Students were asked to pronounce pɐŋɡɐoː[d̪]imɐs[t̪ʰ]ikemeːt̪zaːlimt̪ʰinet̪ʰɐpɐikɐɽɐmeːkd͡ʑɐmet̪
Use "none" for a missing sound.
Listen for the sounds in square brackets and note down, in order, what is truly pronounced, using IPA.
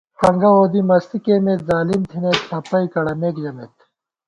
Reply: d̪, t̪

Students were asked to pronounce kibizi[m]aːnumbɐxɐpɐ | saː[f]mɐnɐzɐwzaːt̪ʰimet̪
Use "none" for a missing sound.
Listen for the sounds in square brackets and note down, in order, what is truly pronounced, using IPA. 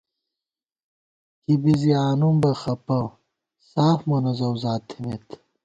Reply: none, f

